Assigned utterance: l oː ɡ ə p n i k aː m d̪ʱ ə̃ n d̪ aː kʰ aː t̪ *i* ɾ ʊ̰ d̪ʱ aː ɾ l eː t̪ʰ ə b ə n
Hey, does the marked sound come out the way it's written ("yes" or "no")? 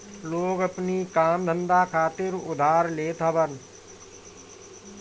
no